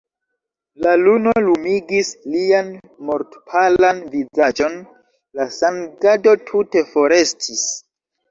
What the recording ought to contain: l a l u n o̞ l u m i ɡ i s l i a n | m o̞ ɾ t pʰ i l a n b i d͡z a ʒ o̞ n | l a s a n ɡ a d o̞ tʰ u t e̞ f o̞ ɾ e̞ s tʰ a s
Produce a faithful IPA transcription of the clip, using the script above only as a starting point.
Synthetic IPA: l a l u n o̞ l u m i ɡ i s l i a n | m o̞ ɾ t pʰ a l a n v i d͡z a d͡ʒ o̞ n | l a s a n ɡ a d o̞ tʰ u t e̞ f o̞ ɾ e̞ s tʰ i s